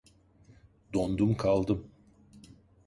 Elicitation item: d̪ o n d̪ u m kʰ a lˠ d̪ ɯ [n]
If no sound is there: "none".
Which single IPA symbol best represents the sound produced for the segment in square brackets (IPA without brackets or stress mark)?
m